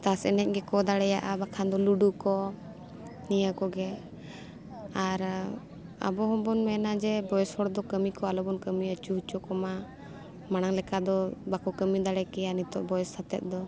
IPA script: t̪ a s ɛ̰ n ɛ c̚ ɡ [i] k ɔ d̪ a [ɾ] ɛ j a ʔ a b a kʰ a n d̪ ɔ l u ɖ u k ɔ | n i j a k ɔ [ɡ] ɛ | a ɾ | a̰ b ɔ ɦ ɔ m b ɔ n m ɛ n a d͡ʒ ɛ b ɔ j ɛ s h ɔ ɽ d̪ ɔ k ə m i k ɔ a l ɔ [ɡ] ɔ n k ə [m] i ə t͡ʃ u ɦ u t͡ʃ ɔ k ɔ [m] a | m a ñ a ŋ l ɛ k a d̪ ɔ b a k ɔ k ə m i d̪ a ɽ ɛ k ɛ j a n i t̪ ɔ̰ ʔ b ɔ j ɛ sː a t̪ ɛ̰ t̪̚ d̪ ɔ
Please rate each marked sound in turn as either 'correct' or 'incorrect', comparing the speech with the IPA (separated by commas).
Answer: incorrect, incorrect, correct, incorrect, correct, correct